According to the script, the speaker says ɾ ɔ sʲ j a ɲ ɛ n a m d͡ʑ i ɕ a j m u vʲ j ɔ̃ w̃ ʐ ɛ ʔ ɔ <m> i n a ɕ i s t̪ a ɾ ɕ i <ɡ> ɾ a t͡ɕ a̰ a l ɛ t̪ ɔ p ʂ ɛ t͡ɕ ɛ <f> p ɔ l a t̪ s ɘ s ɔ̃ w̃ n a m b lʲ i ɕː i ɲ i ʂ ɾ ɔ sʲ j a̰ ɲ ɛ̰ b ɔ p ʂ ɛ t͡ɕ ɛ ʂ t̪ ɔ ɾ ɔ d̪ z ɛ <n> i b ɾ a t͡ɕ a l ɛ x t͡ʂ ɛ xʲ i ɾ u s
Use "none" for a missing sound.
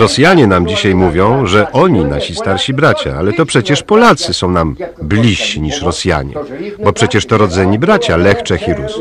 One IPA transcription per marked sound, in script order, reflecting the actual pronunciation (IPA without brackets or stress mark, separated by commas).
ɲ, b, ʂ, ɲ